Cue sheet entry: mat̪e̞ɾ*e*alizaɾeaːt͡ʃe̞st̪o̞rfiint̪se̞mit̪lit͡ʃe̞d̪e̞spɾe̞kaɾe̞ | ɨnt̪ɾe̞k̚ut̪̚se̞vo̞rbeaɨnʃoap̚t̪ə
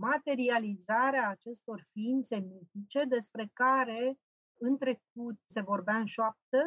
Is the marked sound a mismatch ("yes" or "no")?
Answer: yes